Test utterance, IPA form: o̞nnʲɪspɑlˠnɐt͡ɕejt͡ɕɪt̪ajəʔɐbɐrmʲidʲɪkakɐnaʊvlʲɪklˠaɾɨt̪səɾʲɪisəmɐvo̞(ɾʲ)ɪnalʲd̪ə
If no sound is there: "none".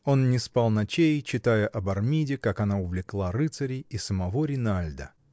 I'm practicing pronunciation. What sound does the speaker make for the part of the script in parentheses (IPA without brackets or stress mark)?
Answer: ɾʲ